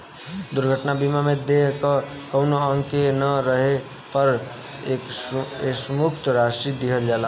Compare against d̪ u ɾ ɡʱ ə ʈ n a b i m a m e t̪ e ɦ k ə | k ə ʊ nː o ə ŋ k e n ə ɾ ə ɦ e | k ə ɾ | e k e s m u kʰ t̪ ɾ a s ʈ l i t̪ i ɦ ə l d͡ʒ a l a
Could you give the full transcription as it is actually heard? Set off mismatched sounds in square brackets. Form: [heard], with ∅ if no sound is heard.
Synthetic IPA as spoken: d̪ u ɾ ɡʱ ə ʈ n a b i m a m e [d̪] e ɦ k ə | k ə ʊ [n] o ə ŋ k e n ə ɾ ə ɦ e | [p] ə ɾ | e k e s m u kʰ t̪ ɾ a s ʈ [ɾ] i [d̪] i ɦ ə l d͡ʒ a l a